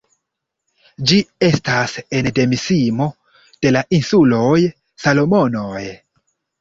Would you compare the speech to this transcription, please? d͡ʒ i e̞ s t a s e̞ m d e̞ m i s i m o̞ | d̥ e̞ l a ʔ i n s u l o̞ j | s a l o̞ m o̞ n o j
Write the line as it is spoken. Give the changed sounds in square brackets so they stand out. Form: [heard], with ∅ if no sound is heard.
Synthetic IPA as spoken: d͡ʒ i e̞ s t a s e̞ [n] d e̞ m i s i m o̞ | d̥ e̞ l a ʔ i n s u l o̞ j | s a l o̞ m o̞ n o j